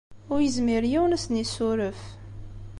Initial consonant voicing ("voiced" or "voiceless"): voiced